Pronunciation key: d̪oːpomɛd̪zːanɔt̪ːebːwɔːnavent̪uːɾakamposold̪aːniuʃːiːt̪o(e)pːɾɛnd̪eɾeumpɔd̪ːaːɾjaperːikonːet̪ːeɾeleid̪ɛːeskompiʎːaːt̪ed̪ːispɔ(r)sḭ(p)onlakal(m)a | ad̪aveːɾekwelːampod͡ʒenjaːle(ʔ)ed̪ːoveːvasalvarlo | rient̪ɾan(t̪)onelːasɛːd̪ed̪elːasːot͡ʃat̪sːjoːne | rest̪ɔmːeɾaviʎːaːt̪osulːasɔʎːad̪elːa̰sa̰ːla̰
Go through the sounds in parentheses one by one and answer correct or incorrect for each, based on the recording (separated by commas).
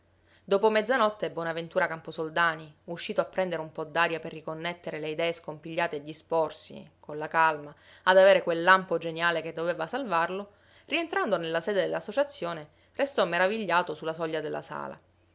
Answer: incorrect, correct, incorrect, correct, incorrect, incorrect